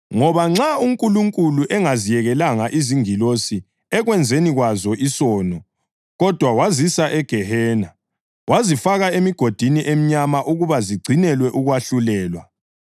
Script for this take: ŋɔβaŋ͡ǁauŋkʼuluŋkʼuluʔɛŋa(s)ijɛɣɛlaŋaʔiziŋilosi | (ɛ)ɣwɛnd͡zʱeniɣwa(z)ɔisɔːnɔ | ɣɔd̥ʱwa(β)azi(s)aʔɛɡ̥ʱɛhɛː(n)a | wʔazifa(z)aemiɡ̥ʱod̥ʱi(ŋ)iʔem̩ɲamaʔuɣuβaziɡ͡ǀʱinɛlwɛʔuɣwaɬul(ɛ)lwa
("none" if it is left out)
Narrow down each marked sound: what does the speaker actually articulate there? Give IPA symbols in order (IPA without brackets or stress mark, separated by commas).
z, ɛ, z, w, s, n, ɣ, n, ɛː